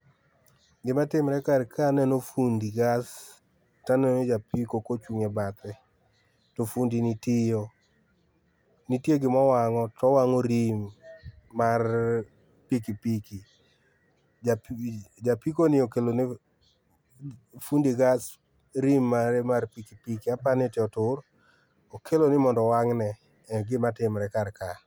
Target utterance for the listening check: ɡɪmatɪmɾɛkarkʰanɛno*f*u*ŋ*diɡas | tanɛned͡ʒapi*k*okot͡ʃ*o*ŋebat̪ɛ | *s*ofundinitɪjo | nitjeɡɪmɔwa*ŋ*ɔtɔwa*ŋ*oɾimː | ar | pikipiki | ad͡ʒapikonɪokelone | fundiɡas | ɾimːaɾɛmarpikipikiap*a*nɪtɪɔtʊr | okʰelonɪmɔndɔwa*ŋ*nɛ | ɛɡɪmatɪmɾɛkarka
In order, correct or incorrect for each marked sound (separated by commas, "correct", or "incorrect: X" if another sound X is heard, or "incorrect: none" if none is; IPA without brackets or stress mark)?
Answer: correct, incorrect: n, correct, incorrect: u, incorrect: t, correct, correct, correct, correct